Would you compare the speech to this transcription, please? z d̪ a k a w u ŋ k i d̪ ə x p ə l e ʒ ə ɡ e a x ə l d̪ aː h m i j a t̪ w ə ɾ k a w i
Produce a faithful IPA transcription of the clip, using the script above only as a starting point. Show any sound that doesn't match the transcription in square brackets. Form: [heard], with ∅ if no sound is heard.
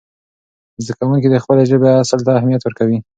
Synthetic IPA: z d̪ a k a w u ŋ k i d̪ ə x p ə l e ʒ ə [b] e a [s] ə l [t̪] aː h m i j a t̪ w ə ɾ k a w i